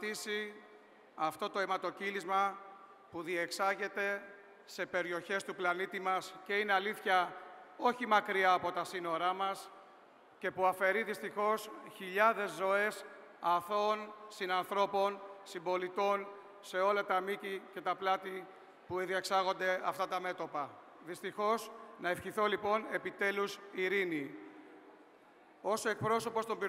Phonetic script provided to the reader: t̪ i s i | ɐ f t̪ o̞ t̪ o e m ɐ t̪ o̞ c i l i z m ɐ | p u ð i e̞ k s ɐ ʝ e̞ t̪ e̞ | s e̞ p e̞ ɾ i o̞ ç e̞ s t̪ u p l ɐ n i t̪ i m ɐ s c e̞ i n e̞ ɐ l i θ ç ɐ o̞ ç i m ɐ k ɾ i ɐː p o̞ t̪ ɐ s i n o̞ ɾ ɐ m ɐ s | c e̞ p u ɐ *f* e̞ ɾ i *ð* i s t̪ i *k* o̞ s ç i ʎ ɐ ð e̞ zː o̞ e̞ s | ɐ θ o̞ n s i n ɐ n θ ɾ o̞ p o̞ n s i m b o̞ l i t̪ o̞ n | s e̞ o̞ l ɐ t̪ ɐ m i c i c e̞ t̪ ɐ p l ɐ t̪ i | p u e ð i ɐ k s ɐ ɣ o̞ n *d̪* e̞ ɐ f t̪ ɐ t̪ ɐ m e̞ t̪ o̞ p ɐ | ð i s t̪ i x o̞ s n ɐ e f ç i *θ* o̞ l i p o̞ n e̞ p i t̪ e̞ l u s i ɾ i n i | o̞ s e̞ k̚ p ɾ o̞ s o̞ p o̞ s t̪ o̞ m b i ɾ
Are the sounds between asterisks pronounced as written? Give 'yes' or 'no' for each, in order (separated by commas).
yes, yes, no, yes, yes